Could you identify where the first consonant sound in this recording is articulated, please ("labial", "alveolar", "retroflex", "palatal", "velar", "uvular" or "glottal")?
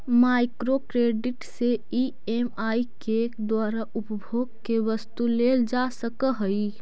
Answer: labial